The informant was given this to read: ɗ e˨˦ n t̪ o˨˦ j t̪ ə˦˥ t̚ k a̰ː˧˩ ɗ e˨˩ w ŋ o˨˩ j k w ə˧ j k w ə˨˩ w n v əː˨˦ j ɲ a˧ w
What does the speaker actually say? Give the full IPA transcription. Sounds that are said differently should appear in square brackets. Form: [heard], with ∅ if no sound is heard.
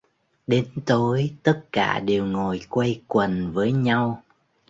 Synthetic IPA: ɗ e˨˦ n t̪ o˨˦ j t̪ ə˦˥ t̚ k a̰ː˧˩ ɗ e˨˩ w ŋ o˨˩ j k w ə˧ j k w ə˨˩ [∅] n v əː˨˦ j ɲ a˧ w